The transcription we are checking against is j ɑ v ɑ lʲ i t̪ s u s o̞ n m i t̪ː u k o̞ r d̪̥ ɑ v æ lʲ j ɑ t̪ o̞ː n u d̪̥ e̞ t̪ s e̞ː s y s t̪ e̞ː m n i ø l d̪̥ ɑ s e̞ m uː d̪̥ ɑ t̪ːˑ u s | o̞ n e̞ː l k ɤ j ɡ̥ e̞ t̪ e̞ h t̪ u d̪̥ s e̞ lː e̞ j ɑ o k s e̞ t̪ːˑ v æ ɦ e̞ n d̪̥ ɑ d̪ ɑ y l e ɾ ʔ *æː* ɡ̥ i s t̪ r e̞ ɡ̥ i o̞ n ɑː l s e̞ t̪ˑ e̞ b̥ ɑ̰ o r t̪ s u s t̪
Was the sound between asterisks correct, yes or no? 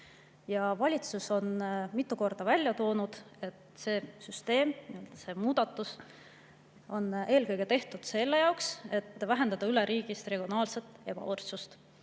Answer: no